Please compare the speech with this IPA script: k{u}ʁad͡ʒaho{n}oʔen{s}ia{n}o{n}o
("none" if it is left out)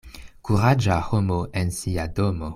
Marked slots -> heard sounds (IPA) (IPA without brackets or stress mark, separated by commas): u, m, s, d, m